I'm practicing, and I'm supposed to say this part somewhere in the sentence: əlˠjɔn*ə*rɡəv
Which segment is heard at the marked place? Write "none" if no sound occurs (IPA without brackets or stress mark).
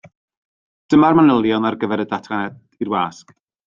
a